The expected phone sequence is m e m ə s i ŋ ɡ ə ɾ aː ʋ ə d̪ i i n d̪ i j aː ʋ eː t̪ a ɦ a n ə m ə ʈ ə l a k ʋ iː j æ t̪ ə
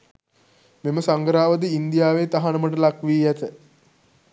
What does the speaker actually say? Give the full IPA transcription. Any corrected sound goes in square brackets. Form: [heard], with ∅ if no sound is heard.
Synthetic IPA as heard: m e m ə s [a] ŋ ɡ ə ɾ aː ʋ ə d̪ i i n d̪ i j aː ʋ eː t̪ a ɦ a n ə m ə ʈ ə l a k ʋ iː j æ t̪ ə

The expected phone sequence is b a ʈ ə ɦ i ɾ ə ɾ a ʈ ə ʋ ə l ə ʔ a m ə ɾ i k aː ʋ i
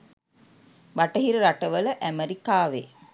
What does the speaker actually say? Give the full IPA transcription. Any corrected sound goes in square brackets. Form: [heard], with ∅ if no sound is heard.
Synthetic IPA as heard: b a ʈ ə ɦ i ɾ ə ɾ a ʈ ə ʋ ə l ə ʔ [æ] m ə ɾ i k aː ʋ [e]

